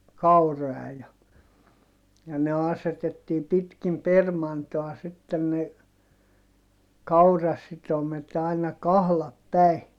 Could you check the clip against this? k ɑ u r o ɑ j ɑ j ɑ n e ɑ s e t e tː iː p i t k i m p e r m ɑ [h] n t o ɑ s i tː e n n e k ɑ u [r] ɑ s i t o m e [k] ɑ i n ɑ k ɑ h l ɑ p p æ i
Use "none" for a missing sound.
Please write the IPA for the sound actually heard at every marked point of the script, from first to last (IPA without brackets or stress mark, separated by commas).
none, r, t